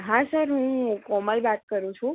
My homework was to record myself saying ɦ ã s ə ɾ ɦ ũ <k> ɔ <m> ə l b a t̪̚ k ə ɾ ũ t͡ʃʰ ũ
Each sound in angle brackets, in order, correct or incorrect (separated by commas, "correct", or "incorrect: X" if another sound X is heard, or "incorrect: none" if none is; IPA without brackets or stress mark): correct, correct